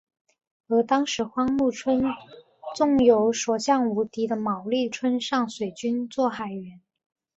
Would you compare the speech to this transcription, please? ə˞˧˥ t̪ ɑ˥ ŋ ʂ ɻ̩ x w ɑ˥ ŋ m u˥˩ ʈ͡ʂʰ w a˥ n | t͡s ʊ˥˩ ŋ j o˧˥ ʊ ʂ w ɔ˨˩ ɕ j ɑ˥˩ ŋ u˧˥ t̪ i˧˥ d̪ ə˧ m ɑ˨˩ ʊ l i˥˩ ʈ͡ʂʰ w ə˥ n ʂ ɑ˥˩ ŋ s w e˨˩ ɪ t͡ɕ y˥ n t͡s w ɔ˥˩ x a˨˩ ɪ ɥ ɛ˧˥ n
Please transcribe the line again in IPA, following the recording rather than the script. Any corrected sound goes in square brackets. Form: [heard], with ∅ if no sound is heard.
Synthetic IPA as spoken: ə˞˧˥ t̪ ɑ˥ ŋ ʂ ɻ̩ x w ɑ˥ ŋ m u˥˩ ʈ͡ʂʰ w [ə˥] n | t͡s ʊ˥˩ ŋ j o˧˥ ʊ ʂ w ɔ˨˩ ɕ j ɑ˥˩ ŋ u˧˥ t̪ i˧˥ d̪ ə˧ m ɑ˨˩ ʊ l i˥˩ ʈ͡ʂʰ w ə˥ n ʂ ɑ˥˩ ŋ s w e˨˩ ɪ t͡ɕ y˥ n t͡s w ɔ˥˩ x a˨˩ ɪ ɥ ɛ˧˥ n

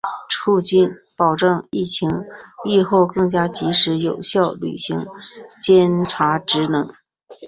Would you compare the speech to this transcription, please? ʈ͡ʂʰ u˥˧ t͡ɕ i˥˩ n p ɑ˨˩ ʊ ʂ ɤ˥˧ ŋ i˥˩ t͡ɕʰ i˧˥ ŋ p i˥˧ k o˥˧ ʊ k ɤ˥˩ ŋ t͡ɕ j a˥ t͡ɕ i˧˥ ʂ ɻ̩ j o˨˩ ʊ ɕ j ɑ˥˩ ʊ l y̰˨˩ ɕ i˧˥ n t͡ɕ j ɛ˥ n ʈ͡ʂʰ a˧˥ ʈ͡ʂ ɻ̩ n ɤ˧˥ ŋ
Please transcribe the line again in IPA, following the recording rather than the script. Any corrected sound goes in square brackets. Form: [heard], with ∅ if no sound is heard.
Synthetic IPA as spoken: ʈ͡ʂʰ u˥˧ t͡ɕ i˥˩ n p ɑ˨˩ ʊ [ʈ͡ʂ] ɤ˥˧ ŋ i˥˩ t͡ɕʰ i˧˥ ŋ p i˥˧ [x] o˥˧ ʊ k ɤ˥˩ ŋ t͡ɕ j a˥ t͡ɕ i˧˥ ʂ ɻ̩ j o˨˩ ʊ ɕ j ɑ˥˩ ʊ l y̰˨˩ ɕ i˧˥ [ŋ] t͡ɕ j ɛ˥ n ʈ͡ʂʰ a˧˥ ʈ͡ʂ ɻ̩ n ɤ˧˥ ŋ

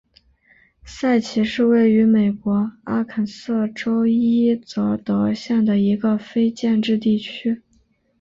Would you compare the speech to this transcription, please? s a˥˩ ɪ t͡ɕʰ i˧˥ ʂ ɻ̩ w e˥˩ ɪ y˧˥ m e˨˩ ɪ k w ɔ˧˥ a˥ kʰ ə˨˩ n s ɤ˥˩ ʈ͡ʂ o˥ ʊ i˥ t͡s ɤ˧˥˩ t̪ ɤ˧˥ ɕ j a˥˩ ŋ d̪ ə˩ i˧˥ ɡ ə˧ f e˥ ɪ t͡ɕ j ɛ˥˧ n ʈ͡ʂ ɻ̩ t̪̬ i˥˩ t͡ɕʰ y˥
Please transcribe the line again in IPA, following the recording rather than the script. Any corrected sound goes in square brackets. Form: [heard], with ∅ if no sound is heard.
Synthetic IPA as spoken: s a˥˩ ɪ t͡ɕʰ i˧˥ ʂ ɻ̩ w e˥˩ ɪ y˧˥ m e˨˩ ɪ k w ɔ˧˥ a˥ kʰ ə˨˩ n s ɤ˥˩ ʈ͡ʂ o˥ ʊ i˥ t͡s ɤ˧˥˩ t̪ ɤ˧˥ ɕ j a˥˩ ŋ d̪ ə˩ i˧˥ ɡ ə˧ f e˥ ɪ t͡ɕ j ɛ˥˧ n ʈ͡ʂ ɻ̩ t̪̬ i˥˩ t͡ɕʰ y˥

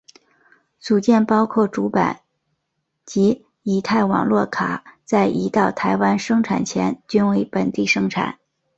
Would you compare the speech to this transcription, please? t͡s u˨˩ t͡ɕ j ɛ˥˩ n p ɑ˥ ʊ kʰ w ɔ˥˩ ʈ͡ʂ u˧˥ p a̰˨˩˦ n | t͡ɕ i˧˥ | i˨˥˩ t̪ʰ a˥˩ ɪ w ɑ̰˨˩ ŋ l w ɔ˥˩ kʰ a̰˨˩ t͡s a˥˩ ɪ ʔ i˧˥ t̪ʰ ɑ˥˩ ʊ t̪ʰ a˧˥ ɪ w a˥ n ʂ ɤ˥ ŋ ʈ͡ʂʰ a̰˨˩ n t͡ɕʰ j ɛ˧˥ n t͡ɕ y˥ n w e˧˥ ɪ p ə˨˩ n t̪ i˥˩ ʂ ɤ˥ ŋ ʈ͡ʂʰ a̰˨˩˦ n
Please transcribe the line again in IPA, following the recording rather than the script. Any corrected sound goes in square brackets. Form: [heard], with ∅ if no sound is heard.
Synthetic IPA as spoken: t͡s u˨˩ t͡ɕ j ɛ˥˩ n p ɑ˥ ʊ kʰ w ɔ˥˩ ʈ͡ʂ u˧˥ p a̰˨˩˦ n | t͡ɕ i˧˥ | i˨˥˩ t̪ʰ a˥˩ ɪ w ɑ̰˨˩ ŋ l w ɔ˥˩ kʰ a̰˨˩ t͡s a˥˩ ɪ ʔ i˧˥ [t̪] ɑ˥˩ ʊ t̪ʰ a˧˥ ɪ w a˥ n ʂ ɤ˥ ŋ ʈ͡ʂʰ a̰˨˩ n t͡ɕʰ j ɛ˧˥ n t͡ɕ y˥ n w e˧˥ ɪ p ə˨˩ n t̪ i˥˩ ʂ ɤ˥ ŋ ʈ͡ʂʰ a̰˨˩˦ n

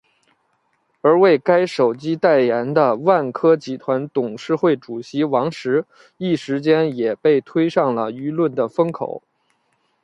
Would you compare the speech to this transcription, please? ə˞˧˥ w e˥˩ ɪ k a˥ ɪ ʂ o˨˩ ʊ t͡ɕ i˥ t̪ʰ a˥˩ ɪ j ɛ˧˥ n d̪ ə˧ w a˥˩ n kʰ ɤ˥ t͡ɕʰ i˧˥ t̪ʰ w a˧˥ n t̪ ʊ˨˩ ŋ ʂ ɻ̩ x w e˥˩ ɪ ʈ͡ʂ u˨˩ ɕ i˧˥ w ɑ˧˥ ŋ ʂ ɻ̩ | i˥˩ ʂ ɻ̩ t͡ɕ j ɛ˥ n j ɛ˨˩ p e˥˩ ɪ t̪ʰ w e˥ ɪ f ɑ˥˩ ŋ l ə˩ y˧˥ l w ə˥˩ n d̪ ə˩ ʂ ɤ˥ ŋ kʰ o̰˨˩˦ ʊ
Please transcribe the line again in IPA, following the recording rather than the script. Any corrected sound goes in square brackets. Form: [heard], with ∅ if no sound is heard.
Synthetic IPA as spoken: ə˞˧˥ w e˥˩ ɪ k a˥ ɪ ʂ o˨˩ ʊ t͡ɕ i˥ [t̪] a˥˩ ɪ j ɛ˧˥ n d̪ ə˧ w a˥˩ n kʰ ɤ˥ [t͡ɕ] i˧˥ t̪ʰ w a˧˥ n t̪ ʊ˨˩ ŋ ʂ ɻ̩ x w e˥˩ ɪ ʈ͡ʂ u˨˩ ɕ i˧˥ w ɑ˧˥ ŋ ʂ ɻ̩ | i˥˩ ʂ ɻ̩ t͡ɕ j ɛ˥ n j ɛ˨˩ p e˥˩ ɪ t̪ʰ w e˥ ɪ [ʂ] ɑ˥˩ ŋ l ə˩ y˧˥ l w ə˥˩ n d̪ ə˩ [f] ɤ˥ ŋ kʰ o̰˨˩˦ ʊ

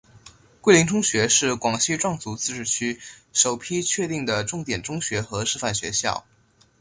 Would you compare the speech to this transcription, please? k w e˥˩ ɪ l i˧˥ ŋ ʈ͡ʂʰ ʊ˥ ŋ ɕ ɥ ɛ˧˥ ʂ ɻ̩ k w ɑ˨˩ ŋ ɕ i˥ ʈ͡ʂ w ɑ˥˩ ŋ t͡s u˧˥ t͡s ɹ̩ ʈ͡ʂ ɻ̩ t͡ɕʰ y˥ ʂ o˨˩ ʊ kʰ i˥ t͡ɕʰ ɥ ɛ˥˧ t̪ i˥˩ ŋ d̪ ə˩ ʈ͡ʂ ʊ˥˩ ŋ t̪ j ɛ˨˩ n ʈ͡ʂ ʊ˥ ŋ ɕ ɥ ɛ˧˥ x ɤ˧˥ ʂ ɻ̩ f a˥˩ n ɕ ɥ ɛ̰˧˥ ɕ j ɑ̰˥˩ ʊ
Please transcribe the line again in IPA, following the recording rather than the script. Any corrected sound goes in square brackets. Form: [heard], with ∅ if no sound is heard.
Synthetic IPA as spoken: k w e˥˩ ɪ l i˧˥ ŋ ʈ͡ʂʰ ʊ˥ ŋ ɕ ɥ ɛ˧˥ ʂ ɻ̩ k w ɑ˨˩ ŋ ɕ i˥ ʈ͡ʂ w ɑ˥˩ ŋ t͡s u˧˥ t͡s ɹ̩ ʈ͡ʂ ɻ̩ t͡ɕʰ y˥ ʂ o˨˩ ʊ [pʰ] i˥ t͡ɕʰ ɥ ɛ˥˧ t̪ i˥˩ ŋ d̪ ə˩ ʈ͡ʂ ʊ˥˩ ŋ t̪ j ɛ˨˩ n ʈ͡ʂ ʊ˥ ŋ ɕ ɥ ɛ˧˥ x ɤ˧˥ ʂ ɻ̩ f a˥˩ n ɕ ɥ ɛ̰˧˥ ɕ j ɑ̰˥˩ ʊ

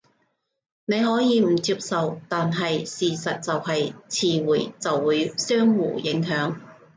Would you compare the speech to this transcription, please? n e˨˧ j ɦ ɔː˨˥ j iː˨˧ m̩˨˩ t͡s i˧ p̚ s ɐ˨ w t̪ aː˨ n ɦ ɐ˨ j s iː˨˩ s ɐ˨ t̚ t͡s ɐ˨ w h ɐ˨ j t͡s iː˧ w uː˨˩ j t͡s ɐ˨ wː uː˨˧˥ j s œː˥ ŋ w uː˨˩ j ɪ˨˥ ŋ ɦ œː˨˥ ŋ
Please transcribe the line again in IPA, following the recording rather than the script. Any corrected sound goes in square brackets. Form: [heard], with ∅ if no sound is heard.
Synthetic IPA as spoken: n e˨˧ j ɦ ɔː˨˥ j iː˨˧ m̩˨˩ t͡s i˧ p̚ s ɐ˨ w t̪ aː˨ n ɦ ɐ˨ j s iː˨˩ s ɐ˨ t̚ t͡s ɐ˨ w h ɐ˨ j [t͡sʰ] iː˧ w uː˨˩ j t͡s ɐ˨ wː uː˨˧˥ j s œː˥ ŋ w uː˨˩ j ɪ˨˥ ŋ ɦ œː˨˥ ŋ

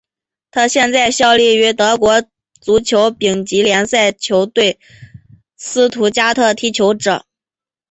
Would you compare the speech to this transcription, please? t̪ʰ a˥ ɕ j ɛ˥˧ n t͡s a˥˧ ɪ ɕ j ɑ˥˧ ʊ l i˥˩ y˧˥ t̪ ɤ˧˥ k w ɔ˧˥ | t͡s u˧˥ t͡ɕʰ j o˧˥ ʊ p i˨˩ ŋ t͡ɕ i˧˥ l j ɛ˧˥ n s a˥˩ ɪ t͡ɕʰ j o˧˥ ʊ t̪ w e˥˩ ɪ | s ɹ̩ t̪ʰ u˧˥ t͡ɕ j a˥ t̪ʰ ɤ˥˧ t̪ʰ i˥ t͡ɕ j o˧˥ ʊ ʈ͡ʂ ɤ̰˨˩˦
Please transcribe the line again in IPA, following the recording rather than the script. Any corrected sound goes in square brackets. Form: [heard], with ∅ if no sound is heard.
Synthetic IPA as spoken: t̪ʰ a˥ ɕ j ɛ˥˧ n t͡s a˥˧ ɪ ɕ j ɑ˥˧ ʊ l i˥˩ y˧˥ t̪ ɤ˧˥ k w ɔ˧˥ | t͡s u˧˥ t͡ɕʰ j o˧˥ ʊ p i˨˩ ŋ t͡ɕ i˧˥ l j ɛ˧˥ n s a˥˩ ɪ t͡ɕʰ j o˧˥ ʊ t̪ w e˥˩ ɪ | s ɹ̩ t̪ʰ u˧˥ t͡ɕ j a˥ t̪ʰ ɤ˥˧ t̪ʰ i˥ [t͡ɕʰ] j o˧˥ ʊ ʈ͡ʂ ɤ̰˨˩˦

